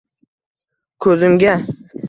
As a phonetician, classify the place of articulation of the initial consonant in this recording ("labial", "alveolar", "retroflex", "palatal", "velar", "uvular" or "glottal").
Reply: velar